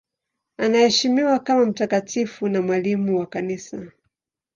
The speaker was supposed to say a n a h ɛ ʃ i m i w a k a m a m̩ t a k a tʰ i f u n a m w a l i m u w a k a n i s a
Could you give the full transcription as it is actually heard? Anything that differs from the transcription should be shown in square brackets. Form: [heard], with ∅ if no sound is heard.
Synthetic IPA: a n a h ɛ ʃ i m i w a k a m a m̩ t a k a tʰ i f u n a m w a l i m u w a k a n i s a